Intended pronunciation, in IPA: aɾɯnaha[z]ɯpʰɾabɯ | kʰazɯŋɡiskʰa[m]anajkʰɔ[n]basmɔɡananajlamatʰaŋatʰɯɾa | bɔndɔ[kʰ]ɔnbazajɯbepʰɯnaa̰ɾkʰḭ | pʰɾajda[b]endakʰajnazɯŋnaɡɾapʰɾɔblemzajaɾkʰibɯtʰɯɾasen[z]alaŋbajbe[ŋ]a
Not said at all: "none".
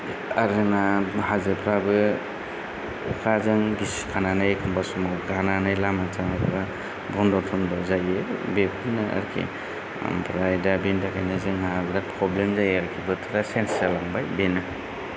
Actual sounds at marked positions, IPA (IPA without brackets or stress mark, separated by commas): z, n, m, tʰ, b, s, n